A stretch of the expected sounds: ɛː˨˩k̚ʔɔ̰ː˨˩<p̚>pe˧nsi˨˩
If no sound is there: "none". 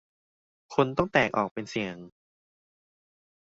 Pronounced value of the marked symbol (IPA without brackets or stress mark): k̚